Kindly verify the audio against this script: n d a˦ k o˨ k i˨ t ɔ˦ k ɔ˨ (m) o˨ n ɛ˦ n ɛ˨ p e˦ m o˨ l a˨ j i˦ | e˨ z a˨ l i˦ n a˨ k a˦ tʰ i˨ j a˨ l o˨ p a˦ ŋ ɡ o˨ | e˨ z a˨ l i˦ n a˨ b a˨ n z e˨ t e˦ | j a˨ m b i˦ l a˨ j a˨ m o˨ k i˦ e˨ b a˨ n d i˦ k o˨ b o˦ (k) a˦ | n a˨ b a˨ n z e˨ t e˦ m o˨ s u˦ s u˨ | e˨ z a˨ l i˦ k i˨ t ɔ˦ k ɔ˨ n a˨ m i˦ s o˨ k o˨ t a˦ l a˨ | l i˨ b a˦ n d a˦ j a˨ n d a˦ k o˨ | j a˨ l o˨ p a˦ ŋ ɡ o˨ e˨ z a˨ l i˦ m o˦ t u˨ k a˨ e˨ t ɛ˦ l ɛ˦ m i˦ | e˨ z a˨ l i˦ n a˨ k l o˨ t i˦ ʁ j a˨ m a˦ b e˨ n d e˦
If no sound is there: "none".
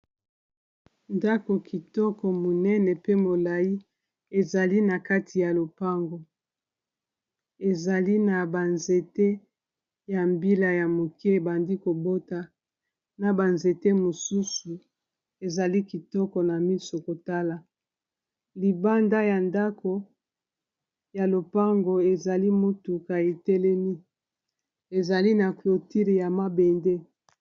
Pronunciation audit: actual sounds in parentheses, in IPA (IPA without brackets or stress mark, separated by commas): m, t